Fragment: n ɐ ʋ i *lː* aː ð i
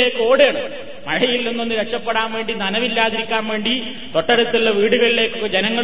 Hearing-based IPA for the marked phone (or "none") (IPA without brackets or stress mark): lː